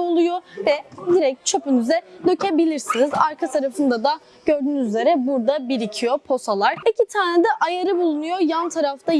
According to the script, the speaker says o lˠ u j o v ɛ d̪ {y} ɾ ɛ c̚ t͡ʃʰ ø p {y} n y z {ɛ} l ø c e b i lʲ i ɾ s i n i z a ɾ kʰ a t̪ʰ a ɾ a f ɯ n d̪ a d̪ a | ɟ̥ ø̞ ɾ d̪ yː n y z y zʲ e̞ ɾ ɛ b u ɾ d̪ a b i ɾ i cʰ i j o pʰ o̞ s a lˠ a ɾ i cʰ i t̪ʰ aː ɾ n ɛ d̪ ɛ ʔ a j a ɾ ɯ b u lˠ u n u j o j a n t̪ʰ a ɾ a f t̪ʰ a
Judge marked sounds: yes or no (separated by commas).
no, yes, yes